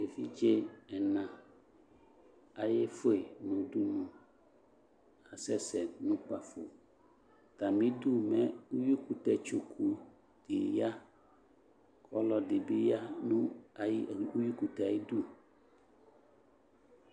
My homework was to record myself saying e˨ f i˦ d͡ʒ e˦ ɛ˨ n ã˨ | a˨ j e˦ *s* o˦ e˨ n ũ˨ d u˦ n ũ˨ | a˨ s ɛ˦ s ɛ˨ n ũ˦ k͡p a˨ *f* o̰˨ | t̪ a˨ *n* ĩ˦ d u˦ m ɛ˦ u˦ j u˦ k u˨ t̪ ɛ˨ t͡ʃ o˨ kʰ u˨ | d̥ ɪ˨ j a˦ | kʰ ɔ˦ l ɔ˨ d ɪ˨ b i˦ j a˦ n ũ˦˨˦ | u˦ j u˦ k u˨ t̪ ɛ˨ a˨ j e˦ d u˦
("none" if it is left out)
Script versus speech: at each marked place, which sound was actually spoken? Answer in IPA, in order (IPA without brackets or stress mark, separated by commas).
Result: f, f, m